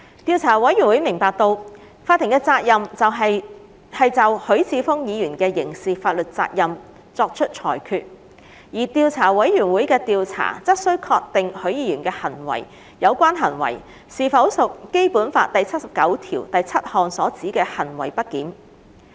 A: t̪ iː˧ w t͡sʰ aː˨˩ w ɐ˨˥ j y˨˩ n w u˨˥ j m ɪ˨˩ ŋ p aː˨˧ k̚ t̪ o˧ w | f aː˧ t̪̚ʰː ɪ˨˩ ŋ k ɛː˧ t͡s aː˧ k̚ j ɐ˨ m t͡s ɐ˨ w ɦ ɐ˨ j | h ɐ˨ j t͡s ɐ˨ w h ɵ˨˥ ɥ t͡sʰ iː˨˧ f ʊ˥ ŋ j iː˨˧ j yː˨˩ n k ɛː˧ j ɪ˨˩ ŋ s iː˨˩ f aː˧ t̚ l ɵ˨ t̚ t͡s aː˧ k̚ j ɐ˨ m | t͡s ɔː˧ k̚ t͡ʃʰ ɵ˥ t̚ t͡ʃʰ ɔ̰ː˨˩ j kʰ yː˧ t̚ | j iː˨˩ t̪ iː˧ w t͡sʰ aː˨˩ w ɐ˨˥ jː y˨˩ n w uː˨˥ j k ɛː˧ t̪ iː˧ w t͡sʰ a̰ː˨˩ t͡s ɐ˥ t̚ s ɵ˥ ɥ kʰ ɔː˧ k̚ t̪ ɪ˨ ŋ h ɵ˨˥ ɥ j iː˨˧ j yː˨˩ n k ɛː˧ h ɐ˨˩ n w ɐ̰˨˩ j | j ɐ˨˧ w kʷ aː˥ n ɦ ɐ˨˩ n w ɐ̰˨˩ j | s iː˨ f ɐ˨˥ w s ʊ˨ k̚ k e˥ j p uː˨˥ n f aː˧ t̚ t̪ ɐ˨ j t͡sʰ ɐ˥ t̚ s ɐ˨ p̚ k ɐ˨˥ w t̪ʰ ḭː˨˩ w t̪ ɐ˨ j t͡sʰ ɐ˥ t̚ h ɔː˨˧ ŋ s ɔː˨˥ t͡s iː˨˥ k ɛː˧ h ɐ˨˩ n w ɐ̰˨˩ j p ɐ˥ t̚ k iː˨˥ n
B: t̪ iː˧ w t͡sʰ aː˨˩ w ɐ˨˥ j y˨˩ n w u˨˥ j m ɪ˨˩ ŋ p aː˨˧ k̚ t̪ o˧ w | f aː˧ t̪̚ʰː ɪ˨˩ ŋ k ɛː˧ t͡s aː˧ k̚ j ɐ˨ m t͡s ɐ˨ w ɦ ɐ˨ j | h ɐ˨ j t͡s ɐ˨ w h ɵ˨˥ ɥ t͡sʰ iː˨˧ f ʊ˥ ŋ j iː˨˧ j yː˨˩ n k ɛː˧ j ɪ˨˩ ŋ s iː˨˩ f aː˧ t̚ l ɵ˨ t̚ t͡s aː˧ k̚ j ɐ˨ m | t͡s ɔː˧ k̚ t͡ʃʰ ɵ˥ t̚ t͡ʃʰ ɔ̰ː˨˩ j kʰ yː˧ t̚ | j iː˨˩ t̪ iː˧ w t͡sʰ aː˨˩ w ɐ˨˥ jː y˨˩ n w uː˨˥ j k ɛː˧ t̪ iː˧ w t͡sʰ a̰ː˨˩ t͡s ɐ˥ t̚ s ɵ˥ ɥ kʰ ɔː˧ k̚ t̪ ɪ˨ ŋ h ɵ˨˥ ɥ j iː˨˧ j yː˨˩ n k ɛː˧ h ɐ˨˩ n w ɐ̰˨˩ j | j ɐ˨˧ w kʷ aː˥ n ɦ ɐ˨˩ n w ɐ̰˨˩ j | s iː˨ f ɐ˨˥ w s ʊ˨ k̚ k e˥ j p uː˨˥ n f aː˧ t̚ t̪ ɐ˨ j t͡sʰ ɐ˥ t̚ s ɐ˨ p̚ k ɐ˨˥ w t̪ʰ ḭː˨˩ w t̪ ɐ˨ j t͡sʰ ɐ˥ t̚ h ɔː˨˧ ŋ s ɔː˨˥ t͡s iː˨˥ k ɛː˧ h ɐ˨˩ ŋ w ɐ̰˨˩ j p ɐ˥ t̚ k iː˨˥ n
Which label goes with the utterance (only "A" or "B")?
A